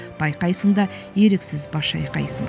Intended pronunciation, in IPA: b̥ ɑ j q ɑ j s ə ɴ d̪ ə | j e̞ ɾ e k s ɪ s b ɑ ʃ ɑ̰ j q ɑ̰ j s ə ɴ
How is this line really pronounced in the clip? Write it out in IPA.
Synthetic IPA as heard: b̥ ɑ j q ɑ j s ə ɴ d̪ ɑ | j e̞ ɾ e k s ɪ z b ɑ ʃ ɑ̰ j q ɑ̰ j s ə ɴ